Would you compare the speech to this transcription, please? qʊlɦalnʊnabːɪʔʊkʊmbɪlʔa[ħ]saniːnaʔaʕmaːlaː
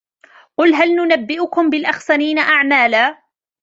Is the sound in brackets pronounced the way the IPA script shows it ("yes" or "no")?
no